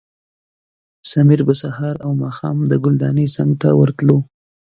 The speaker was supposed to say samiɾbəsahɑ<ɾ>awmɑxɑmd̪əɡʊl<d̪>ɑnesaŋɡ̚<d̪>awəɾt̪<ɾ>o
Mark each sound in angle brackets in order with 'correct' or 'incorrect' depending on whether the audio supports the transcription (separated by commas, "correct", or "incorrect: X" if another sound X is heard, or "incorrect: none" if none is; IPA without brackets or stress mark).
correct, correct, incorrect: t̪, incorrect: l